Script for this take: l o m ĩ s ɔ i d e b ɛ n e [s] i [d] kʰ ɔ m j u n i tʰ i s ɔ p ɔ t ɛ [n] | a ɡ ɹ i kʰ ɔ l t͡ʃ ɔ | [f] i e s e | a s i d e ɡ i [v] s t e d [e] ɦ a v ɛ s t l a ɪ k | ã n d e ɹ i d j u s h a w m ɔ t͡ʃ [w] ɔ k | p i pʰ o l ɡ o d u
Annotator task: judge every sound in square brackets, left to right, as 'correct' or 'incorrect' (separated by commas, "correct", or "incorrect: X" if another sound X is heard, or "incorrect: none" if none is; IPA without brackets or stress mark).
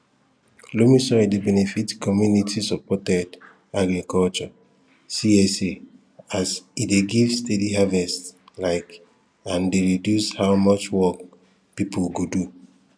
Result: incorrect: f, incorrect: t, incorrect: d, incorrect: s, correct, incorrect: i, correct